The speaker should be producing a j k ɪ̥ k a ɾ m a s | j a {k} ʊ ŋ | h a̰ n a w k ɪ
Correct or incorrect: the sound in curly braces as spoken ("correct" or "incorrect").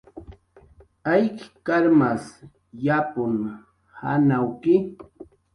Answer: incorrect